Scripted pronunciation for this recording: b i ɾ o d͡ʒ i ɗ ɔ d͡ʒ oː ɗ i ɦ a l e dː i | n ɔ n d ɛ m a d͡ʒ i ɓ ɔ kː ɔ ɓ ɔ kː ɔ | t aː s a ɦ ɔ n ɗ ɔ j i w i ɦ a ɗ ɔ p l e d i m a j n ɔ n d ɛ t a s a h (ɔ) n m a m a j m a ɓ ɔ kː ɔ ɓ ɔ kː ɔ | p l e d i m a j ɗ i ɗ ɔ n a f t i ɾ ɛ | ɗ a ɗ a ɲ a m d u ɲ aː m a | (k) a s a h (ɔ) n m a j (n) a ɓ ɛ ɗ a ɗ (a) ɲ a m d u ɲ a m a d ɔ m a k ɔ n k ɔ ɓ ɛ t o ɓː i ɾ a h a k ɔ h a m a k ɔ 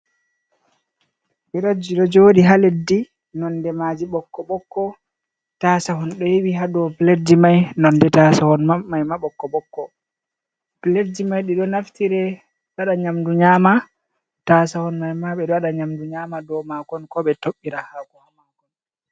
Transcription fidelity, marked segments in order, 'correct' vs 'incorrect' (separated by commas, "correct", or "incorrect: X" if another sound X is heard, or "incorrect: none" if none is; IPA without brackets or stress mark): correct, incorrect: t, correct, incorrect: m, correct